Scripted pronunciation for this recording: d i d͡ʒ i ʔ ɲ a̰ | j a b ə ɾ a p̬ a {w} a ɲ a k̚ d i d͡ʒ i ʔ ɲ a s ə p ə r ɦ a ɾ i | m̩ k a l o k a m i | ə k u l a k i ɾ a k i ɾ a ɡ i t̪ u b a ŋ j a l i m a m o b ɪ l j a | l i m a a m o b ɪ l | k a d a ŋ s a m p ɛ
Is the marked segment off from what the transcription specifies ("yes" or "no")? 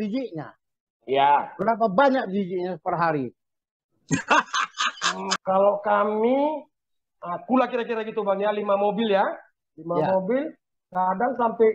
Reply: yes